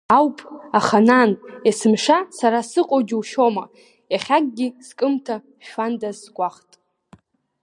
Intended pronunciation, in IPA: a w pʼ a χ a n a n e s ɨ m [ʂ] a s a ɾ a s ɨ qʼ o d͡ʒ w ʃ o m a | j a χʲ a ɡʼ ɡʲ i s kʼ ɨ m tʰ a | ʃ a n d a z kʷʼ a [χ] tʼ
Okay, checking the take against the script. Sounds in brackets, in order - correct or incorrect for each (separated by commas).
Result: correct, correct